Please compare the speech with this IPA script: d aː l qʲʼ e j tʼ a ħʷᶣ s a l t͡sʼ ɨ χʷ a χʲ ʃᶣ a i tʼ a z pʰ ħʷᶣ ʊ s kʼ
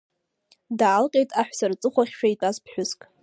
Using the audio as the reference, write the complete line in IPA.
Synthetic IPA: d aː l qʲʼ e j tʼ a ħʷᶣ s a r t͡sʼ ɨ χʷ a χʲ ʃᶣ a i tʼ a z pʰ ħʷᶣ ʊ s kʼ

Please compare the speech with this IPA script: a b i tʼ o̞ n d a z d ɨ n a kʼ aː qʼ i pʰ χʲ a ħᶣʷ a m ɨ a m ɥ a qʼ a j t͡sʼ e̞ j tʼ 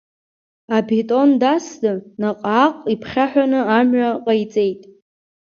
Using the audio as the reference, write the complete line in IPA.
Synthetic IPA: a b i tʼ o̞ n d a s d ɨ n a qʼ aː qʼ i pʰ χʲ a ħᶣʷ a n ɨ a m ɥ a qʼ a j t͡sʼ e̞ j tʼ

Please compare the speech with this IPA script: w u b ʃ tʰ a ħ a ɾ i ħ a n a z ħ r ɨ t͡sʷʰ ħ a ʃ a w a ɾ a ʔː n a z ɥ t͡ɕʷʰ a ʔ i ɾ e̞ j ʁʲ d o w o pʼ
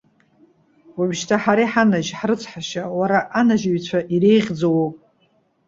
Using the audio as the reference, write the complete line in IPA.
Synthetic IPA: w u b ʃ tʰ a ħ a ɾ i ħ a n a ʒ ħ r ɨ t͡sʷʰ ħ a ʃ a w a ɾ a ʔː n a ʒ ɥ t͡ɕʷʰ a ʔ i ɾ e̞ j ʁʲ d͡z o w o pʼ

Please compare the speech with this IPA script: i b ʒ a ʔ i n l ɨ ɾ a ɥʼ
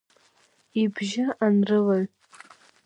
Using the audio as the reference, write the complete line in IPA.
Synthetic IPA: i b ʒ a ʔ a n r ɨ l a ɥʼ

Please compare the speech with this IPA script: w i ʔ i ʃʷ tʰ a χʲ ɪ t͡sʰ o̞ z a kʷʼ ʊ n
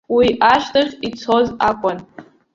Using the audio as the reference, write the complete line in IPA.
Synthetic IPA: w i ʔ a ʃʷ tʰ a χʲ i t͡sʰ o̞ z a kʷʼ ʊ n

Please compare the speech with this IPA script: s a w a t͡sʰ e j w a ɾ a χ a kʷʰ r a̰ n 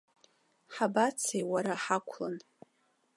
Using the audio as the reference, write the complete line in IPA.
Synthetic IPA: ħ a b a t͡sʰ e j w a ɾ a ħ a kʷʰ l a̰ n

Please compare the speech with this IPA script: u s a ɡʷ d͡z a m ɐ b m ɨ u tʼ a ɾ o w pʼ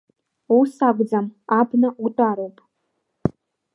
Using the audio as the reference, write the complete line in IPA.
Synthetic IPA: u s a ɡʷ d͡z a m a b n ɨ u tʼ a ɾ o w pʼ

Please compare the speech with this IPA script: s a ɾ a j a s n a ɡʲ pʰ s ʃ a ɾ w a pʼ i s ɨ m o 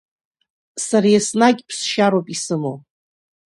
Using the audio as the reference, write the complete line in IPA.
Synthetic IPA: s a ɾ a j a s n a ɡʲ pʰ s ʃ a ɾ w a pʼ i s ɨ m o

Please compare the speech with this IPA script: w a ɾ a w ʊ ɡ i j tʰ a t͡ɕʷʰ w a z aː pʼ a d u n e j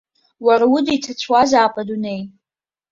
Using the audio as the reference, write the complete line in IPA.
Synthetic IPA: w a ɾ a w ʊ d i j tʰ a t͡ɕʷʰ w a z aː pʼ a d u n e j

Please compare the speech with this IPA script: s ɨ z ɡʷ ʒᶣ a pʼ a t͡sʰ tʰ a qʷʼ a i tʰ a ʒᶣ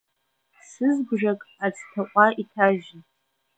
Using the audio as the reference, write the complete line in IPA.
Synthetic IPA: s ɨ z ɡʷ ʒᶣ a kʼ a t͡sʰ tʰ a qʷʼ a i tʰ a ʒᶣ

